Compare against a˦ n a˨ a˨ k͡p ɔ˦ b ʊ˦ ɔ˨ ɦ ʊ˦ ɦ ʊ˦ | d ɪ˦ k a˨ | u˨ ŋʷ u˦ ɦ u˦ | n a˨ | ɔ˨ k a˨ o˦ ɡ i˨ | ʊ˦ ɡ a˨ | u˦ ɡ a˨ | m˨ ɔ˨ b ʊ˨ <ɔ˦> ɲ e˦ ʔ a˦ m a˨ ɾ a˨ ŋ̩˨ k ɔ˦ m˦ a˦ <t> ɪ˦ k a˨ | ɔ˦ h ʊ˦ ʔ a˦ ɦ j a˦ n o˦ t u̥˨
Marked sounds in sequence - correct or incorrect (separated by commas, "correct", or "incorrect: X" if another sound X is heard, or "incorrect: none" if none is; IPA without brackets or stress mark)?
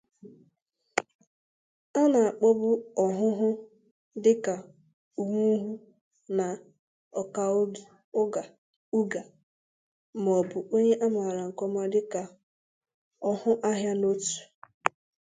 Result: incorrect: o˦, incorrect: d